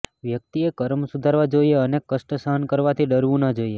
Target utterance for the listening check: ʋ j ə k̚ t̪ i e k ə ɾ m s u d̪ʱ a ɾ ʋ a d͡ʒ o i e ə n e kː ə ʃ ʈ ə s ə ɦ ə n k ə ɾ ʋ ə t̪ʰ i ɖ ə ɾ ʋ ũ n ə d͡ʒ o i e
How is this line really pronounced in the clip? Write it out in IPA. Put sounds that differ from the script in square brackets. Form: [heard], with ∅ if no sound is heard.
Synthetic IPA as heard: ʋ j ə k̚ t̪ i e k ə ɾ m s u d̪ʱ a ɾ ʋ a d͡ʒ o i e ə n e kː ə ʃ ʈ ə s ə ɦ ə n k ə ɾ ʋ [a] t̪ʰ i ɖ ə ɾ ʋ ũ n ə d͡ʒ o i e